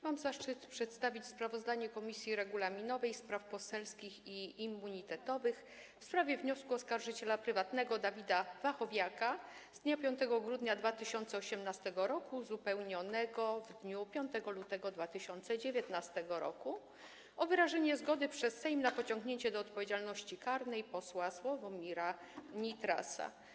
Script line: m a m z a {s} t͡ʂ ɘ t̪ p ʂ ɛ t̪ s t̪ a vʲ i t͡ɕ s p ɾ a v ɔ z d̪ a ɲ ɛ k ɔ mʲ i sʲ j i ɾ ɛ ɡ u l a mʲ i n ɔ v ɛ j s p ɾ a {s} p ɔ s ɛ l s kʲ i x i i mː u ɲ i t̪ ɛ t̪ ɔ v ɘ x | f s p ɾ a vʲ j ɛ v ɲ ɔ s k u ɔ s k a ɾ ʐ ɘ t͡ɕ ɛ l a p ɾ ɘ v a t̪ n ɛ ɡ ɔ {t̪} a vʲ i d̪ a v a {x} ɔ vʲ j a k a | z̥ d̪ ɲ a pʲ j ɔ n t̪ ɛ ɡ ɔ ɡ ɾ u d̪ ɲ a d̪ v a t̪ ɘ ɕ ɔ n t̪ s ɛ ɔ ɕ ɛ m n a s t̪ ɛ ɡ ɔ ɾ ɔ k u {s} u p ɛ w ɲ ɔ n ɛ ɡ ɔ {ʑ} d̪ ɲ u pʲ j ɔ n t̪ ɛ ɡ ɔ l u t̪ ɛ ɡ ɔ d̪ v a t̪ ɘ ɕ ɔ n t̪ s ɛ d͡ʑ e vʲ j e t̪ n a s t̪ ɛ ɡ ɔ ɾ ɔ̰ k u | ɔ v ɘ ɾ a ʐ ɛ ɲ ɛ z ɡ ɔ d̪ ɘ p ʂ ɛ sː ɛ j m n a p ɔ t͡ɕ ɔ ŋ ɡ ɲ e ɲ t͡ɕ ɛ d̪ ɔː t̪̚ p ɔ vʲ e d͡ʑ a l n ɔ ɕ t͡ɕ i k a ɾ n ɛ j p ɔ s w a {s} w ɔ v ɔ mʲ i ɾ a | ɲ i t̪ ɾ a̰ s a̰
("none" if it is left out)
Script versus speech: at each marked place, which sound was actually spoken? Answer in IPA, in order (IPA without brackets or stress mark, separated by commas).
ʂ, f, d̪, x, z, v, s